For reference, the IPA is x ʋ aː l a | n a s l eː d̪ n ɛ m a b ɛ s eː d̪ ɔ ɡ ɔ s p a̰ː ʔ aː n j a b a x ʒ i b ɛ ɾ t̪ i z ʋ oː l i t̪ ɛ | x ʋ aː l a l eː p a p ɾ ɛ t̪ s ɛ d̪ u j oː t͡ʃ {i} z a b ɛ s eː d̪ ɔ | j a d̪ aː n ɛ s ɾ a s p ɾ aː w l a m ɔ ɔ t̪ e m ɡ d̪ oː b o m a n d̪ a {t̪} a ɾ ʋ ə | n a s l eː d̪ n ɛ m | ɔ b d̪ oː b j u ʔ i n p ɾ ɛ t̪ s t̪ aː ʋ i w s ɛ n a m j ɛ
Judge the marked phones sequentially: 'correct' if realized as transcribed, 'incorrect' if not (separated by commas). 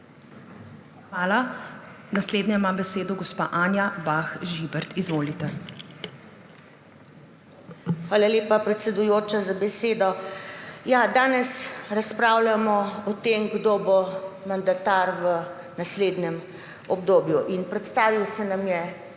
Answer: incorrect, correct